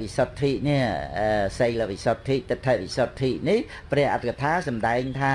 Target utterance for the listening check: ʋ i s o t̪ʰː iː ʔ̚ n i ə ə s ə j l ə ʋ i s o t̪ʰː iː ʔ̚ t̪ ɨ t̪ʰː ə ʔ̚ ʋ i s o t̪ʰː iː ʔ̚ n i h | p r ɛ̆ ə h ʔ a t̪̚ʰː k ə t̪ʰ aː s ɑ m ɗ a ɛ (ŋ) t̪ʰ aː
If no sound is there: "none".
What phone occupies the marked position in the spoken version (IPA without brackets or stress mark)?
ŋ